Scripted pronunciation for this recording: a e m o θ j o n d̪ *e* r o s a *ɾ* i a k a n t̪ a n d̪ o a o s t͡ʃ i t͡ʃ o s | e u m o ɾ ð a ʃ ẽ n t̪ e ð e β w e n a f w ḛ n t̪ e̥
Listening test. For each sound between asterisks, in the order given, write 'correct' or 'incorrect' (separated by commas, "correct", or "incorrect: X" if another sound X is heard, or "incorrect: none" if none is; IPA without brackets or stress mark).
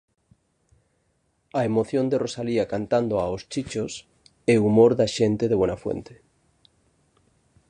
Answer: correct, incorrect: l